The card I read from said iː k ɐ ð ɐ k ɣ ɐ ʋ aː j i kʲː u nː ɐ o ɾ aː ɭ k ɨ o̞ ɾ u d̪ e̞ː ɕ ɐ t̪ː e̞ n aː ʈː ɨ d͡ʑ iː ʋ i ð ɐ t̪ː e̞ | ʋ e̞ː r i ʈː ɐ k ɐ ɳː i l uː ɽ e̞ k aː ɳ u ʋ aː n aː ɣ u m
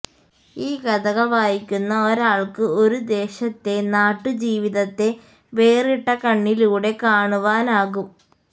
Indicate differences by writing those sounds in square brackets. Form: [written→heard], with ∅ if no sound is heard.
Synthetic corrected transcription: iː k ɐ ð ɐ [k→∅] ɣ ɐ ʋ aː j i kʲː u nː ɐ o ɾ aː ɭ k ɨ o̞ ɾ u d̪ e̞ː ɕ ɐ t̪ː e̞ n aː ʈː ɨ d͡ʑ iː ʋ i ð ɐ t̪ː e̞ | ʋ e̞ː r i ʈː ɐ k ɐ ɳː i l uː ɽ e̞ k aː ɳ u ʋ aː n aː ɣ u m